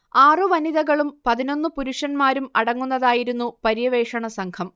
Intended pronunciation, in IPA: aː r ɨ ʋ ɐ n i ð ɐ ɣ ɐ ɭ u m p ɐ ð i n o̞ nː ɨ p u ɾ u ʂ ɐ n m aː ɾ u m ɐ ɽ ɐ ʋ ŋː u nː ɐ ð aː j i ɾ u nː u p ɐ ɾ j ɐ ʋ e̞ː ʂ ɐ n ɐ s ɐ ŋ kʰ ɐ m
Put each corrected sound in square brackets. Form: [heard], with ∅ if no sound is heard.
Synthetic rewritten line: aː r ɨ ʋ ɐ n i ð ɐ ɣ ɐ ɭ u m p ɐ ð i n o̞ nː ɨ p u ɾ u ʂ ɐ n m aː ɾ u m ɐ ɽ ɐ [∅] ŋː u nː ɐ ð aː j i ɾ u nː u p ɐ ɾ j ɐ ʋ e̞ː ʂ ɐ [ɳ] ɐ s ɐ ŋ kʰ ɐ m